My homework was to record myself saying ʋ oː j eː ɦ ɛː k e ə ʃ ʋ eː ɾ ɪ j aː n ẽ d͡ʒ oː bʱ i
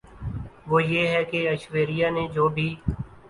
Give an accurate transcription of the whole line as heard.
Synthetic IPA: ʋ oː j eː ɦ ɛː k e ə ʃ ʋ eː ɾ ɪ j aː n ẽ d͡ʒ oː bʱ iː